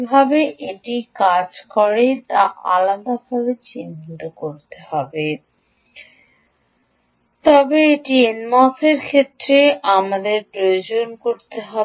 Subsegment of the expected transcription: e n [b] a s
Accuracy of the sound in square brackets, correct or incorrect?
incorrect